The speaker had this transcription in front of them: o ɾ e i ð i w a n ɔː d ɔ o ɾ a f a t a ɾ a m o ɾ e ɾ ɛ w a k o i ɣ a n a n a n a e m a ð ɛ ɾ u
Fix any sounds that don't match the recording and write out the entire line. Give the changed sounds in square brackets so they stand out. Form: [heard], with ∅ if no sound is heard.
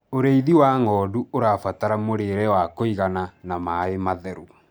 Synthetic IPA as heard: o ɾ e i ð i w a [ŋ] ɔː d [u] o ɾ a f a t a ɾ a m o ɾ e ɾ ɛ w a k o i ɣ a n a n a [m] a e m a ð ɛ ɾ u